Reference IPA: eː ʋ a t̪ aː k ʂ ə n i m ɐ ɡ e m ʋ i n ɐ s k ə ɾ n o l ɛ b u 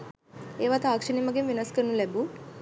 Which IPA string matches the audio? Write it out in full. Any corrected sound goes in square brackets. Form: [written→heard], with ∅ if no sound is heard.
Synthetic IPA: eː ʋ a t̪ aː k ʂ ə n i m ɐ ɡ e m ʋ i n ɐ s k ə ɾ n [o→u] l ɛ b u